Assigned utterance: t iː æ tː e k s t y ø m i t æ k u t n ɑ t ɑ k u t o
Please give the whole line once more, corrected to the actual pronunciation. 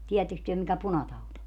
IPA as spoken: t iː æ tː e k s t y ø m i k æ p u n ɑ t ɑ u t o